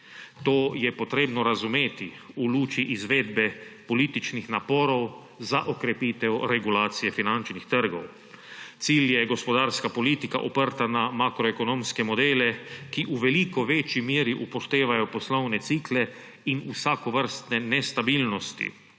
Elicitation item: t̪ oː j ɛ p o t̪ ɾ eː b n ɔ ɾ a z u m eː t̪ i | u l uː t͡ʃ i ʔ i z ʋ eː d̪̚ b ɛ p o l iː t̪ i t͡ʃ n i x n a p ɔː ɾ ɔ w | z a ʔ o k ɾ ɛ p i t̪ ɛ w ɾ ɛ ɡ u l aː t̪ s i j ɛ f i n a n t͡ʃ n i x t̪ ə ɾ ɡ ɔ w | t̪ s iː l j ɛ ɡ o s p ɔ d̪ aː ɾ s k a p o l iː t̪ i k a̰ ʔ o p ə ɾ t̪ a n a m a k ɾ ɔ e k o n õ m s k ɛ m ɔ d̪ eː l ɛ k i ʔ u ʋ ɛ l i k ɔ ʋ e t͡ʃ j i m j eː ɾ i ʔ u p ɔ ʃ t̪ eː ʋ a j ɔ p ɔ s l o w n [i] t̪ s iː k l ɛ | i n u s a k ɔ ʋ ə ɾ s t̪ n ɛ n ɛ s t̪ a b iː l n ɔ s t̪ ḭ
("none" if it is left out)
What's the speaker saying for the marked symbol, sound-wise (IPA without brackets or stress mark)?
ɛ